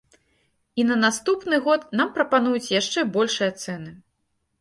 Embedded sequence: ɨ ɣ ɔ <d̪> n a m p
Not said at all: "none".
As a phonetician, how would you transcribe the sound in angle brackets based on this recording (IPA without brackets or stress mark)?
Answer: t̪